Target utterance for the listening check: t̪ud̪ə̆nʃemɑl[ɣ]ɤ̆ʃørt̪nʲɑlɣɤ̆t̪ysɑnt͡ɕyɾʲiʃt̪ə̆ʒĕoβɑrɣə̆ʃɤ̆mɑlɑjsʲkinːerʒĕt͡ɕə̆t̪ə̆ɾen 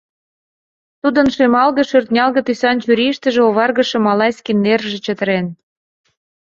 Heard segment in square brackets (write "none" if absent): ɣ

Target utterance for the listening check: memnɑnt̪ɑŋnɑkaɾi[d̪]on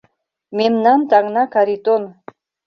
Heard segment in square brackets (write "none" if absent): t̪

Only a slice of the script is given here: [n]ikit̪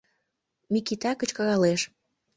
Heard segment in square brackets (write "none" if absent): m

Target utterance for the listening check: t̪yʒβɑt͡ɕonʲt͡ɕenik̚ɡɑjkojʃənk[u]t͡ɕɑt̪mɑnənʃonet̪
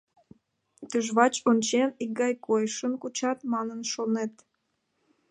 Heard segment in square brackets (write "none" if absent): u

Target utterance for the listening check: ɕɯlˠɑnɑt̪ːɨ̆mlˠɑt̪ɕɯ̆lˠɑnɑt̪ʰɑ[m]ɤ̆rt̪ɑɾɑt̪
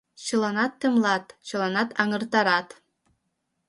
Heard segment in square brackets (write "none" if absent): ŋ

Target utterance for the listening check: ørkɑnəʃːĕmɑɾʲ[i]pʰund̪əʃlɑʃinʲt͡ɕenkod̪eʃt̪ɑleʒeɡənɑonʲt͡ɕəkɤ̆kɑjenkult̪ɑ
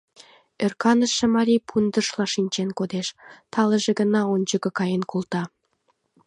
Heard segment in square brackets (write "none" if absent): i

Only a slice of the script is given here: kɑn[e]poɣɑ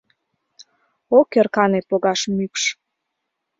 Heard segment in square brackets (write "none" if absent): e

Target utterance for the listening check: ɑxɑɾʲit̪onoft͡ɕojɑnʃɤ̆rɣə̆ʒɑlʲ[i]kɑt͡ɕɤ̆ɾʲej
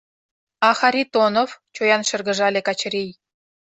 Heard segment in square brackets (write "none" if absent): e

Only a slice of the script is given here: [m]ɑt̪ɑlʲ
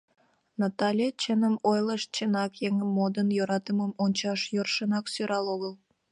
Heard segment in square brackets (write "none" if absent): n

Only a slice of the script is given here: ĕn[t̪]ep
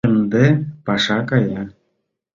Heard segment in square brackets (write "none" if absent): d̪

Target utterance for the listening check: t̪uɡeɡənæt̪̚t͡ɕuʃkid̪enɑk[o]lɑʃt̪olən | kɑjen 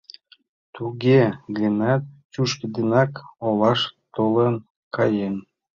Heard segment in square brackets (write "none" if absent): o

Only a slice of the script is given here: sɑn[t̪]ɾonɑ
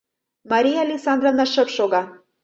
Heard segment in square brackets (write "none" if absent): d̪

